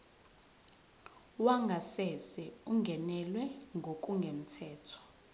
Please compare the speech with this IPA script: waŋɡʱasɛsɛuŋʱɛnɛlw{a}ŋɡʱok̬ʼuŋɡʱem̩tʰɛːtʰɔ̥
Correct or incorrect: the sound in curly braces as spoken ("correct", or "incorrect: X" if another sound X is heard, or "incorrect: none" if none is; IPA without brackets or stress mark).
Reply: incorrect: ɛ